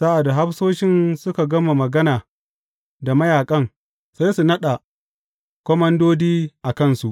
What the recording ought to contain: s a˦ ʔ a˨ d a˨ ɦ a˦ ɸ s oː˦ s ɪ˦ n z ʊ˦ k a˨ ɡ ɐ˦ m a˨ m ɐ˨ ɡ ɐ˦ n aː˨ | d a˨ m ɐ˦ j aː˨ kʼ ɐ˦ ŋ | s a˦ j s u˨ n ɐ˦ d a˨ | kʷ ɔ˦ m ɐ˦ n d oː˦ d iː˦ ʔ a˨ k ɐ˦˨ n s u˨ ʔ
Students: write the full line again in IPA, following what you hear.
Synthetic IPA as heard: s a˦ ʔ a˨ d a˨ ɦ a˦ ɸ s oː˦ ʃ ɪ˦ n s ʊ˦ k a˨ ɡ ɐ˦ m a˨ m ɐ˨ ɡ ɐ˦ n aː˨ | d a˨ m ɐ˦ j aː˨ kʼ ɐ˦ ŋ | s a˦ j s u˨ n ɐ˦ ɗ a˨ | kʷ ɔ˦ m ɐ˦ n d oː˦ d iː˦ ʔ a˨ k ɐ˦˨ n s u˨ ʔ